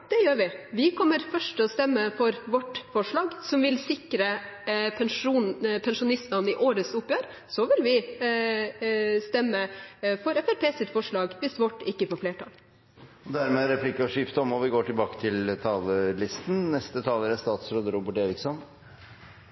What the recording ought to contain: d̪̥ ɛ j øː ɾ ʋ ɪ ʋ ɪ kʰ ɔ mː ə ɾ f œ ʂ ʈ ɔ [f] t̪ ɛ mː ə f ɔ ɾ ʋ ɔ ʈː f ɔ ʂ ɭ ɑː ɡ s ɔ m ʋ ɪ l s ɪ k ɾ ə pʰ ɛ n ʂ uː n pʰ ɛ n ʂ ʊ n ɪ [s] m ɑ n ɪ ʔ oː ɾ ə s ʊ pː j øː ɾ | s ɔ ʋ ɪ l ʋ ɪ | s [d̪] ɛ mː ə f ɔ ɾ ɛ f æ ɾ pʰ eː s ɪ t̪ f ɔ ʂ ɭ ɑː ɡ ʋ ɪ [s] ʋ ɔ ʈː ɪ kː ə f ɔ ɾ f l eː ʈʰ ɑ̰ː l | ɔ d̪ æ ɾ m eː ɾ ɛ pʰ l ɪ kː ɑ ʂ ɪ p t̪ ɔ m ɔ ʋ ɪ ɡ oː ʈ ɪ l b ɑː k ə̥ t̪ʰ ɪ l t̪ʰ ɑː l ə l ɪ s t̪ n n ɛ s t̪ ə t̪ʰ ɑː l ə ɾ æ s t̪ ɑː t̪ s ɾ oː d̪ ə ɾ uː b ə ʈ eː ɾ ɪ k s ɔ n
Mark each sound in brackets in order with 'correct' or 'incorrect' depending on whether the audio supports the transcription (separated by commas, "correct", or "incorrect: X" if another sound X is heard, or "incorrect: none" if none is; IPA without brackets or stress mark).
incorrect: s, correct, incorrect: t̪, correct